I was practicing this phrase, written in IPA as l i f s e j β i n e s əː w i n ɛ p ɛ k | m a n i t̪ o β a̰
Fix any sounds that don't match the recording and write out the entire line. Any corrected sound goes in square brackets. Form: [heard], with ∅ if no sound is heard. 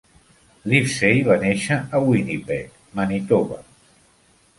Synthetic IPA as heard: l i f s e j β [a] n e [ʃ] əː w i n [i] p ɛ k | m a n i t̪ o β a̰